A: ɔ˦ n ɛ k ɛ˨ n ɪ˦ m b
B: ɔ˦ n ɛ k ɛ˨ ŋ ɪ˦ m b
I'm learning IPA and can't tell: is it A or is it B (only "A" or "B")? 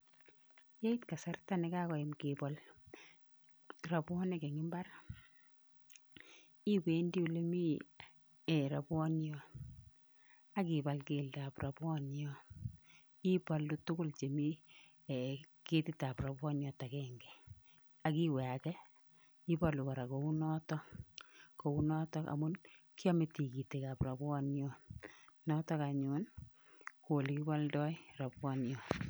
B